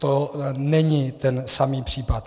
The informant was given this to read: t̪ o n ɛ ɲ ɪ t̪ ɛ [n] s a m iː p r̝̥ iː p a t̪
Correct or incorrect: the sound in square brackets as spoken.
correct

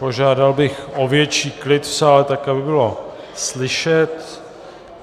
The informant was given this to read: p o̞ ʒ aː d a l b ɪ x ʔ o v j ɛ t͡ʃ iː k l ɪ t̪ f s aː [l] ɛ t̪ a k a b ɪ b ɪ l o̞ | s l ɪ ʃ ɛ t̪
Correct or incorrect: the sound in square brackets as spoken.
correct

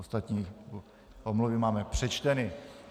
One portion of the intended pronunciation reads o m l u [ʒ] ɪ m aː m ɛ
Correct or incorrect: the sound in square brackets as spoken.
incorrect: v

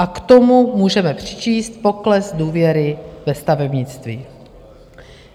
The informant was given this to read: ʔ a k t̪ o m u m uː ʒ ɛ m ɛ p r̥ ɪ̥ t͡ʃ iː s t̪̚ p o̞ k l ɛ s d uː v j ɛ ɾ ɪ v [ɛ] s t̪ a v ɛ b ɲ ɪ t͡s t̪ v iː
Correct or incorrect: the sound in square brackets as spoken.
correct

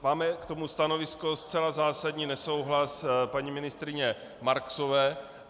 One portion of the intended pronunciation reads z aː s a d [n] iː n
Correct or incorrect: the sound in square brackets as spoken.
incorrect: ɲ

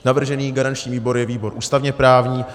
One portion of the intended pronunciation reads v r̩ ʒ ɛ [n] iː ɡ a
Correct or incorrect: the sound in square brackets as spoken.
correct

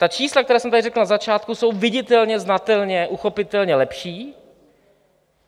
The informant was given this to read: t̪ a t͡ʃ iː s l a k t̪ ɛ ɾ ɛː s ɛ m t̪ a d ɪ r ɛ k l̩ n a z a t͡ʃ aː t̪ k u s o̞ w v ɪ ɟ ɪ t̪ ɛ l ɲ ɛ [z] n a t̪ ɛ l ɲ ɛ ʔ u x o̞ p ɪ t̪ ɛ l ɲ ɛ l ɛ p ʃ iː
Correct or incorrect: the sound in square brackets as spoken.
correct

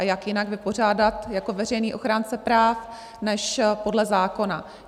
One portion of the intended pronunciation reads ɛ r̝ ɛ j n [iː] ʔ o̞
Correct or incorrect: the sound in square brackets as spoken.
correct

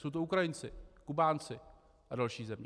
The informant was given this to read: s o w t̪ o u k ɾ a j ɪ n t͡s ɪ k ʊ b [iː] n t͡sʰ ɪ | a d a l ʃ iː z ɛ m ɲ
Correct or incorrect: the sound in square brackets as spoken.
incorrect: aː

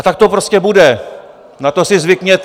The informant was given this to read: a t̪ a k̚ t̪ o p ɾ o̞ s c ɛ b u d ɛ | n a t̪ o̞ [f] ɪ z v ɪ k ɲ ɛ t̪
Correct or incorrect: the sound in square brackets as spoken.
incorrect: s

